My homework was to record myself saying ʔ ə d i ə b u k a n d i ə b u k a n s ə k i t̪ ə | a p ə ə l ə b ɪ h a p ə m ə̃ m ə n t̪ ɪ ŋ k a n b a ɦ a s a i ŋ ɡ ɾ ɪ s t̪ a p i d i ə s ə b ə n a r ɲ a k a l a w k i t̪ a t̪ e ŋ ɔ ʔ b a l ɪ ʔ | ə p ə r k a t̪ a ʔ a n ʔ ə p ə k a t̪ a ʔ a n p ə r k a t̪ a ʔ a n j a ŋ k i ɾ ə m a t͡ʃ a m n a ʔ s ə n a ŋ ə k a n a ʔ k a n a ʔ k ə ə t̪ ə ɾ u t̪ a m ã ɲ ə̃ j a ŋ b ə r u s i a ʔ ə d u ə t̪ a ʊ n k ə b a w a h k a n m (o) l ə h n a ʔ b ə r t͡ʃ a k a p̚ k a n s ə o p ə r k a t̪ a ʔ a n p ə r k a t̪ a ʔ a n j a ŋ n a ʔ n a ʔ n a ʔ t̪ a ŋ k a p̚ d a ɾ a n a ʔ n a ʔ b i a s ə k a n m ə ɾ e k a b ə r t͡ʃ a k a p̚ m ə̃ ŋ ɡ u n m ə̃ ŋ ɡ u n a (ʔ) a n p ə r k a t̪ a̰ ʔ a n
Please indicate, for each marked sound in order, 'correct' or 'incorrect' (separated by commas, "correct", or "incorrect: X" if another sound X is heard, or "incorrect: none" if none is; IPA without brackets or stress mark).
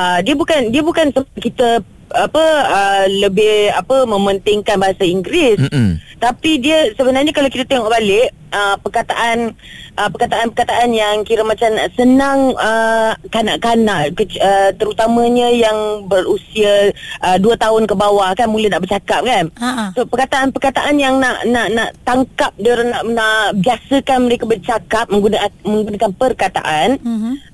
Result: incorrect: u, incorrect: k